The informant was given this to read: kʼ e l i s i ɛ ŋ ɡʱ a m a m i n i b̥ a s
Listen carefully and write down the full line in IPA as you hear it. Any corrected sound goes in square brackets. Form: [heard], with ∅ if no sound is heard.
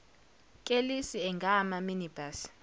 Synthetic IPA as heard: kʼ e l i s i ɛ ŋ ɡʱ a m a m i n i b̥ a s